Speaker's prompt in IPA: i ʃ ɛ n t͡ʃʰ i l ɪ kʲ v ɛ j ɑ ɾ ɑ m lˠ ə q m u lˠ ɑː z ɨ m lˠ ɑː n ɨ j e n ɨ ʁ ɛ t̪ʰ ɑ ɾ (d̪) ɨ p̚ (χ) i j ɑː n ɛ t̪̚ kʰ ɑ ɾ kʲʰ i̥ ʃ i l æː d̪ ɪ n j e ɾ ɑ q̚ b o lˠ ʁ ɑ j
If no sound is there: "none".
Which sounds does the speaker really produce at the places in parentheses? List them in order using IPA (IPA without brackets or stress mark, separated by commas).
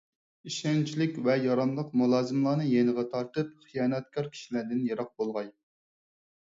t̪, χ